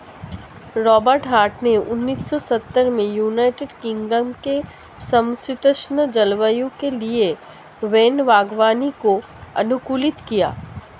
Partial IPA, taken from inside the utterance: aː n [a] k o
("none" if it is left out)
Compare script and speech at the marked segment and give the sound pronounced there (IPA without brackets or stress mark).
i